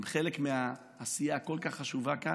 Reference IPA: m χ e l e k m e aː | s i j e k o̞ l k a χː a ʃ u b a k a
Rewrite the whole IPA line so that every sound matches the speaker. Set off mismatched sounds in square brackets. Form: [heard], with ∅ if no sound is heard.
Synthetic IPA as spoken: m χ e l e k m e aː | s i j [a] k o̞ l k a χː a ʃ u [v] a k a